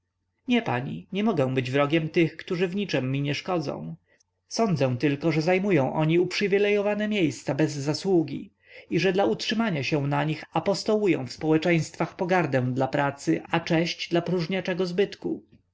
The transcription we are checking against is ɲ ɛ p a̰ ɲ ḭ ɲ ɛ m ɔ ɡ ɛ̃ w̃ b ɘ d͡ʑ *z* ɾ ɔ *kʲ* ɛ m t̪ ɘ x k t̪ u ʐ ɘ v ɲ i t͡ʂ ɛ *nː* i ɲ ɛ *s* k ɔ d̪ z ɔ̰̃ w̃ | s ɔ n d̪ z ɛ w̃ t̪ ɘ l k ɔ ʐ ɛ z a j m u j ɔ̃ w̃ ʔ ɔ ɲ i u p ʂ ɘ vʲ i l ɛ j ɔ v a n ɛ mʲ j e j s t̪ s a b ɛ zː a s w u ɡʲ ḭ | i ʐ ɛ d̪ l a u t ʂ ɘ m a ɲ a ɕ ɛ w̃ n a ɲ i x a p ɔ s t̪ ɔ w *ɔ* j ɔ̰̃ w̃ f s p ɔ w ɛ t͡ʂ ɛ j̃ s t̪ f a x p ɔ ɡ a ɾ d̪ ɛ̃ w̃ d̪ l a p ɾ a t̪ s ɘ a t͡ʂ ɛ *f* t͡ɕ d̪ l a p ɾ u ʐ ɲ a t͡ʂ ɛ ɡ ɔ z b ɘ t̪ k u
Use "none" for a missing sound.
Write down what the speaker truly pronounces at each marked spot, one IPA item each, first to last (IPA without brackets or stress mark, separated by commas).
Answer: v, ɡʲ, mː, ʂ, u, ɕ